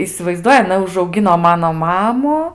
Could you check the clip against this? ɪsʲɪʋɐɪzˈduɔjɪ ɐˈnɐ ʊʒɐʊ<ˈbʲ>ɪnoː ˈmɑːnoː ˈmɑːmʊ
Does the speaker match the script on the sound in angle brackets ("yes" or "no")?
no